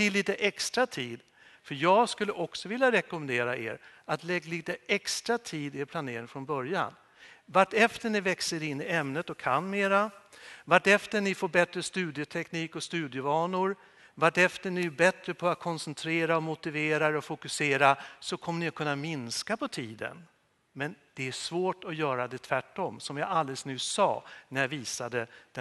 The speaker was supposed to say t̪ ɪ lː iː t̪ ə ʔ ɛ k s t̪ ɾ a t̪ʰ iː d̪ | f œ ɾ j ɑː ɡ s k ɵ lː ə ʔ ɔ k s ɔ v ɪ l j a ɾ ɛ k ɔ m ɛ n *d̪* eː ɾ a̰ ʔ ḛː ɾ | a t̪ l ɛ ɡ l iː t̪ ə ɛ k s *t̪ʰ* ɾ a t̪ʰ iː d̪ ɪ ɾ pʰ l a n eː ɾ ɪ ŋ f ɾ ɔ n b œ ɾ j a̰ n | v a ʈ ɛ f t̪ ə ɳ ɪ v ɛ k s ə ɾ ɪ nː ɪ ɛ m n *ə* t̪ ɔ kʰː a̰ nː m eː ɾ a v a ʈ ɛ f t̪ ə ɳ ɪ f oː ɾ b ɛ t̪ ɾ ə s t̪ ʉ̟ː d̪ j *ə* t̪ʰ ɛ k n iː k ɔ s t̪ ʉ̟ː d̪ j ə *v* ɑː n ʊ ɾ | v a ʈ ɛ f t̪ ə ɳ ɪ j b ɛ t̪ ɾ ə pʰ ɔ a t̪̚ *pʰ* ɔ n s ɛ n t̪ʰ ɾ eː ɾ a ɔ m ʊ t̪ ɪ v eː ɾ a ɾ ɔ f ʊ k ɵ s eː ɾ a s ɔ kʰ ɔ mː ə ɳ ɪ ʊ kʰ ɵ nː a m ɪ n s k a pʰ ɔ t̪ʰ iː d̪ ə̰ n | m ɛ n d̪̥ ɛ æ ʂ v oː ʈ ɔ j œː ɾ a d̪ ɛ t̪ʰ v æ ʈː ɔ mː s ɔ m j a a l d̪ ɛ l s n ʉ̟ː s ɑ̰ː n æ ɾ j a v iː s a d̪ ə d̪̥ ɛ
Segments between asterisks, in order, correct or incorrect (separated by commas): correct, incorrect, correct, correct, correct, incorrect